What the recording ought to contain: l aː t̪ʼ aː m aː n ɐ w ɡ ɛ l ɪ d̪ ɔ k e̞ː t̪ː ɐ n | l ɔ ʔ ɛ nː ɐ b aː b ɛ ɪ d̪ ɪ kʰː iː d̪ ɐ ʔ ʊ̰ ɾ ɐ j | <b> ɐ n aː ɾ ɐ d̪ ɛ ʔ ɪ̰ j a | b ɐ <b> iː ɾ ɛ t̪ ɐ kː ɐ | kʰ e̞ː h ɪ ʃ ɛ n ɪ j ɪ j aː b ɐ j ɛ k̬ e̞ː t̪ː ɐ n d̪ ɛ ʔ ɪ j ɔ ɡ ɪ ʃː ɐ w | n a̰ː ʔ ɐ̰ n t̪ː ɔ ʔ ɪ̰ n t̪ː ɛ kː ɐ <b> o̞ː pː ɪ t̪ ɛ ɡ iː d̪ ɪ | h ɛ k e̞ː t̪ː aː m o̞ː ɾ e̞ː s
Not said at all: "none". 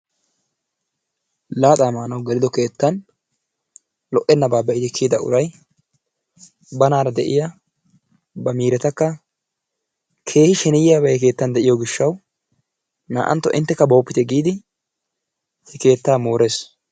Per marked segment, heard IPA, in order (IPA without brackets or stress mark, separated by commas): b, m, b